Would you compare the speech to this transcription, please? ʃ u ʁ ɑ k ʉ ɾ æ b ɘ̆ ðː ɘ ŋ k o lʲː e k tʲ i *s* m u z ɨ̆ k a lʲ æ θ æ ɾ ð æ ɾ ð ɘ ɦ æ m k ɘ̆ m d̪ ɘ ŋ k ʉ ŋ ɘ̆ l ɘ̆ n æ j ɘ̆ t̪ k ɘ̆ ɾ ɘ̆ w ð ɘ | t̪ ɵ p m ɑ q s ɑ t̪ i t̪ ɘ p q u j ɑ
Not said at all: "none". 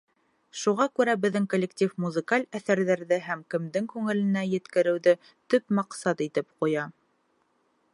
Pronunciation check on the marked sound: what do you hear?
f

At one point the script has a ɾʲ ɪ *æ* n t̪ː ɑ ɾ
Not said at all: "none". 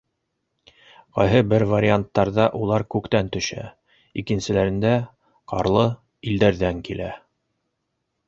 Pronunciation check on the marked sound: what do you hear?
a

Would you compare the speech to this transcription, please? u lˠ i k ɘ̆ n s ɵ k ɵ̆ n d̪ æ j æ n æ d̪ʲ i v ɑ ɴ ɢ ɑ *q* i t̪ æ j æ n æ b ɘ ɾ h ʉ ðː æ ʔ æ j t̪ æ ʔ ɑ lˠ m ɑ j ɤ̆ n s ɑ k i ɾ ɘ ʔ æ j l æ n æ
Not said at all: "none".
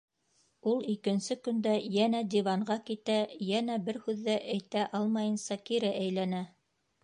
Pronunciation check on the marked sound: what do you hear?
k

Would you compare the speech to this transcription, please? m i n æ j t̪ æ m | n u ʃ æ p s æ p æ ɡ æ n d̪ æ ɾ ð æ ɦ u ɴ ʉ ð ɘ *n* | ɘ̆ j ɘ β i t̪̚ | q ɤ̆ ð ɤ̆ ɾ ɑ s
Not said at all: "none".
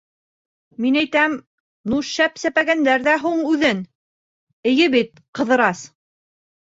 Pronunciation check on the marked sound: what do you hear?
n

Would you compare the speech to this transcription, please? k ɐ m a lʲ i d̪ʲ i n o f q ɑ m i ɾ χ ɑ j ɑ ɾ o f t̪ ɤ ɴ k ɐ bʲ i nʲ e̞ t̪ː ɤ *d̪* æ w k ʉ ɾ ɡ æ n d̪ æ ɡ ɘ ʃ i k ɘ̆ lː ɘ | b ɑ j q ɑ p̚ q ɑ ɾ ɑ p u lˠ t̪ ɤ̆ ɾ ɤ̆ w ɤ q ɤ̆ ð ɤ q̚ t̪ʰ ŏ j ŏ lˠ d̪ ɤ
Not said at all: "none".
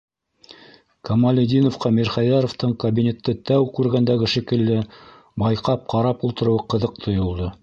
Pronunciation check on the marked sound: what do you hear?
t̪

